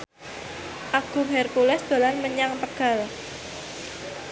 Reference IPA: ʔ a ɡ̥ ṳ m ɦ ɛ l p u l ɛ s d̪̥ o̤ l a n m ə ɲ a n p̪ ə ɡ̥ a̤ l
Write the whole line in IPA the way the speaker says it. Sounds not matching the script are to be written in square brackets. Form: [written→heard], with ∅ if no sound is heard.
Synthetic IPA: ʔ a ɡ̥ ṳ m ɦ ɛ [l→r] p u l ɛ s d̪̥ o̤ l a n m ə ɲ a [n→ŋ] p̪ ə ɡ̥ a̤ l